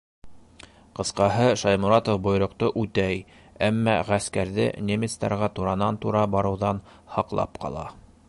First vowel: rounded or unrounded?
unrounded